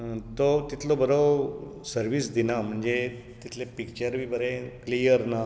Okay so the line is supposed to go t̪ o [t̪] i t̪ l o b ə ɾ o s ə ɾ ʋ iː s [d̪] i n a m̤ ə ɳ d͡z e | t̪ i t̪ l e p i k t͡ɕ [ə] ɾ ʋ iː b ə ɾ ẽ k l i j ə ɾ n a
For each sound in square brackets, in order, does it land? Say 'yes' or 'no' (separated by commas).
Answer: yes, yes, yes